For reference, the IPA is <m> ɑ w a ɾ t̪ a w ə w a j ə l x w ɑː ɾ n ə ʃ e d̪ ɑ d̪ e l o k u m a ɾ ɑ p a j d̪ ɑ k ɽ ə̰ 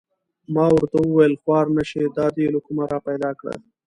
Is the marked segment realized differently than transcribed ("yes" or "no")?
no